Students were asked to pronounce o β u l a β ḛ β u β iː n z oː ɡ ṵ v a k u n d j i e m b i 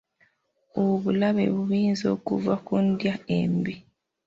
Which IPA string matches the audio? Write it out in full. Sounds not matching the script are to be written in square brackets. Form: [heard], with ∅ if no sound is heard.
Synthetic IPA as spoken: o β u l a β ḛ β u β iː n z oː [k] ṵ v a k u n d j [a] e m b i